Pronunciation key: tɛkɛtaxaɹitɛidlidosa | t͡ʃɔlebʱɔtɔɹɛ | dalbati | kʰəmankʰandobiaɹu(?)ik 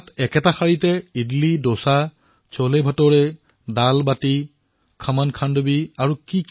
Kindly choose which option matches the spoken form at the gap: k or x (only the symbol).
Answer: k